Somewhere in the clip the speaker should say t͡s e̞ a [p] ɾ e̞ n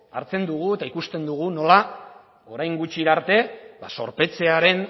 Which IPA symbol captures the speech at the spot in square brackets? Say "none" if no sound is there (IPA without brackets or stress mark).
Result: none